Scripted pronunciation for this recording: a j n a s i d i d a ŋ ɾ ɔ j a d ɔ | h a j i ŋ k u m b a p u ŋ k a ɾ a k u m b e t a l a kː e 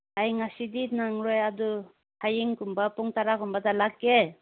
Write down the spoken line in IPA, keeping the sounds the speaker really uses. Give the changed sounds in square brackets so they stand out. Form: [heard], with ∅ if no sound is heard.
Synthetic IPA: a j [ŋ] a s i d i [n] a ŋ ɾ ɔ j a d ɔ | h a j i ŋ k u m b a p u ŋ [t] a ɾ a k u m b [a] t a l a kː e